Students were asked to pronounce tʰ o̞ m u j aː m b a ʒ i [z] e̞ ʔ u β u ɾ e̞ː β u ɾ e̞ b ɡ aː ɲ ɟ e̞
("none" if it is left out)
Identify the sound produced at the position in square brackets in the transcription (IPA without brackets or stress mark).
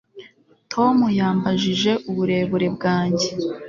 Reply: ʒ